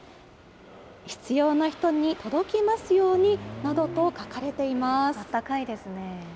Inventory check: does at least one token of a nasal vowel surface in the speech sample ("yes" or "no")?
no